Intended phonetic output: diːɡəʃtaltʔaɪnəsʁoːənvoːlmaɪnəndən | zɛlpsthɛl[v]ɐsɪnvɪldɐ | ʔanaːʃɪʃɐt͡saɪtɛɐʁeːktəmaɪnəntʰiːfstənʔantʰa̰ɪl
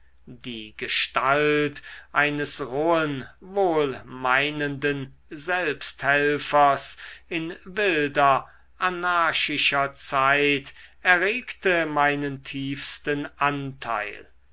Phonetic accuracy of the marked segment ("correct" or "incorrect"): incorrect